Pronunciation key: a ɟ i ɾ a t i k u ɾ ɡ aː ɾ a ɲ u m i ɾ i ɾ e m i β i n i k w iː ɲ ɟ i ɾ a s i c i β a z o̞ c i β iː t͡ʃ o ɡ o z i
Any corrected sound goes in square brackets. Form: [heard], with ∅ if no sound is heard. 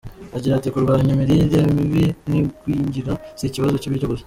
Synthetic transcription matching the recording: a ɟ i ɾ a t i k u ɾ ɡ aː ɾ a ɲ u m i ɾ i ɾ e m i β i n i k w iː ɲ ɟ i ɾ a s i c i β a z o̞ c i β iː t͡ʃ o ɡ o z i